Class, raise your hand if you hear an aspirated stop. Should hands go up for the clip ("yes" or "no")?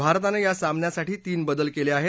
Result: no